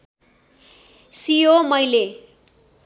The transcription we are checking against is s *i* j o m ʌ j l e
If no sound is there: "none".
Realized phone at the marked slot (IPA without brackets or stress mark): i